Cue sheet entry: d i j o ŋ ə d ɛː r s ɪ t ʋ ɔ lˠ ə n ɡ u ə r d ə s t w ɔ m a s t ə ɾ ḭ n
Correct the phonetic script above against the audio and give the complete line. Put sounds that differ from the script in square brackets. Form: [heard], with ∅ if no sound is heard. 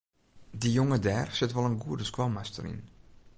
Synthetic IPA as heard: d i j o ŋ ə d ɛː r s ɪ t ʋ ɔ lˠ ə n ɡ u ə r d ə s [k] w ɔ m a s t ə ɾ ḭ n